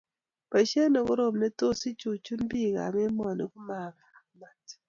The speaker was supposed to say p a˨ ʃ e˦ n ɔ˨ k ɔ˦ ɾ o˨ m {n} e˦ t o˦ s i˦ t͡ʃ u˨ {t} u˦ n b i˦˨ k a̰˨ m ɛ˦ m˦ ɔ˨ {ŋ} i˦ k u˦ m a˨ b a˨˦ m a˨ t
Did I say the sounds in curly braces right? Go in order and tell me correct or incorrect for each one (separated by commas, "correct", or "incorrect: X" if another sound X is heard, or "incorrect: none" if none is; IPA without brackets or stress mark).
correct, incorrect: t͡ʃ, incorrect: n